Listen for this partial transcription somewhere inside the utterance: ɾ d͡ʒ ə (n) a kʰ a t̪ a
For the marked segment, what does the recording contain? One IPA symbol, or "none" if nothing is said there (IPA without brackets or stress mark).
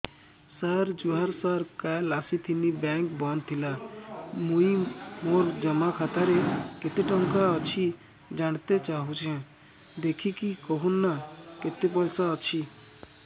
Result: m